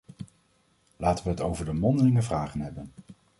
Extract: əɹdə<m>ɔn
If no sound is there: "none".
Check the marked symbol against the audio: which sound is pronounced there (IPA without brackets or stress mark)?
m